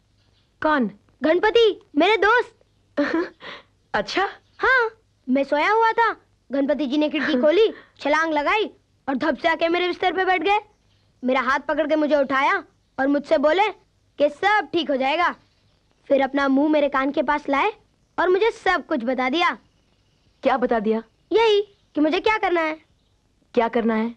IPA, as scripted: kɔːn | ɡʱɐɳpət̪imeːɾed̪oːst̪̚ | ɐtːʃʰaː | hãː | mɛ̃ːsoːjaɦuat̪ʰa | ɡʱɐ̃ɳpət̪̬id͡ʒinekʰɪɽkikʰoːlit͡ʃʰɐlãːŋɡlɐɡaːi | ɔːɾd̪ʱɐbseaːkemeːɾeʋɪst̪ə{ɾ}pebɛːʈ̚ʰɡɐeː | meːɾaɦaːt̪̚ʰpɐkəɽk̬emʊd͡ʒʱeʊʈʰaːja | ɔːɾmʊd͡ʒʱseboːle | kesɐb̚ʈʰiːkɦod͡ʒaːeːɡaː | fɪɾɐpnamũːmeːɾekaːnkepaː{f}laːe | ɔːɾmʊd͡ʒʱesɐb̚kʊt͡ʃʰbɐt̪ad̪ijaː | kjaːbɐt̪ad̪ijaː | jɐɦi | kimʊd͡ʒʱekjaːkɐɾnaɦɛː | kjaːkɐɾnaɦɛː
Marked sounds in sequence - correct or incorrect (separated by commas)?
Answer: correct, incorrect